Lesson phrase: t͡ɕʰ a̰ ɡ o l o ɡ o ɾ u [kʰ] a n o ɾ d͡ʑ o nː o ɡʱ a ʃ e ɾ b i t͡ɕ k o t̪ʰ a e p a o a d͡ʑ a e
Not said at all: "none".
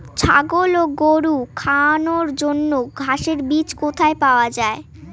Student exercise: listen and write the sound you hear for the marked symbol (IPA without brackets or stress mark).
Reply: kʰ